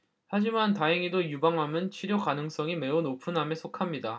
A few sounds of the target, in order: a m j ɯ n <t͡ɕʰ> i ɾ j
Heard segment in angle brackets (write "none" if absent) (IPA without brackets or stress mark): t͡ɕʰ